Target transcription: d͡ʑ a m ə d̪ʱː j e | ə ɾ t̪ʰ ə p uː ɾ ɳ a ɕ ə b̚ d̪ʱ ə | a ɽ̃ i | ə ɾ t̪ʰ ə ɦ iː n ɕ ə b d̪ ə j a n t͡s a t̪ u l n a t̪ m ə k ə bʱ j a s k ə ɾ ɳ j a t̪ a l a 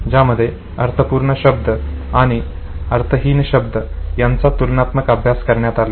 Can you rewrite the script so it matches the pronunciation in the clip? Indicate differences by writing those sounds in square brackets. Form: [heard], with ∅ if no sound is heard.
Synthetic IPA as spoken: d͡ʑ a m ə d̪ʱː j e | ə ɾ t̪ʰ ə p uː ɾ ɳ [ə] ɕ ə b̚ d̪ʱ ə | a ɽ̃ i | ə ɾ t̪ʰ ə ɦ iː n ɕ ə b d̪ ə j a n t͡s a t̪ u l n a t̪ m ə k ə bʱ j a s k ə ɾ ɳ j a t̪ a l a